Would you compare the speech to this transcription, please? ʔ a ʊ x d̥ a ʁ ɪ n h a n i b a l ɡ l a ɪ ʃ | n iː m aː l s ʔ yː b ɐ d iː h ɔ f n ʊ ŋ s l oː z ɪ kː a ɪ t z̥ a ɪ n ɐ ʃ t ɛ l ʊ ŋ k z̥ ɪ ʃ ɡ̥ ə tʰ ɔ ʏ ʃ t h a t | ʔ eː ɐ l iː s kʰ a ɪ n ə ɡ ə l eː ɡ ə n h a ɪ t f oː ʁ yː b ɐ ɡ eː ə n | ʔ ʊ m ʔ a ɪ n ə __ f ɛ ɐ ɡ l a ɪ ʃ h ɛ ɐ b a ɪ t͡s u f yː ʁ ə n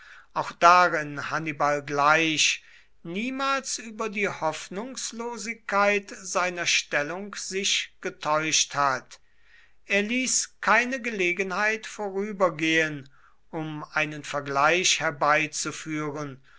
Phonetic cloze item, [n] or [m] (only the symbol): n